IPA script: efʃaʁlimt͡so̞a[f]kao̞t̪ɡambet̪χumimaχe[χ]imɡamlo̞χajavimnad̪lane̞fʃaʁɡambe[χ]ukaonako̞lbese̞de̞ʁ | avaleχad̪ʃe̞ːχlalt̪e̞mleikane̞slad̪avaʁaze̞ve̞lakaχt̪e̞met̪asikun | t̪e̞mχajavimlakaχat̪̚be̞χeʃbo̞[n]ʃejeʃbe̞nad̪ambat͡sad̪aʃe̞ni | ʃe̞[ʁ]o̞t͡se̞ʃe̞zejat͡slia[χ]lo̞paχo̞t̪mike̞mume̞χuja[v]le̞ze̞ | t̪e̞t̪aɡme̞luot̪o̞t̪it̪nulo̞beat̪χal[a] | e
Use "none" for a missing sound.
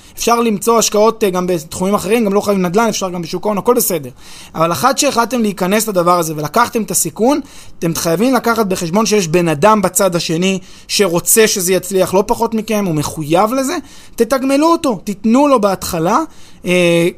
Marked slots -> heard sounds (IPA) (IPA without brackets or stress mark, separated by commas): ʃ, ʁ, ʃ, n, ʁ, χ, v, a